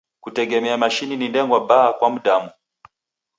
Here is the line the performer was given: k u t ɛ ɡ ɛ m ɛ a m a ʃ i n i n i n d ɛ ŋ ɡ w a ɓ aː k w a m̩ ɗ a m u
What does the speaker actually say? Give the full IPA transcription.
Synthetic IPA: k u t ɛ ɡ ɛ m ɛ a m a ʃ i n i n i n d ɛ ŋ ɡ w a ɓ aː k w a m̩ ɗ a m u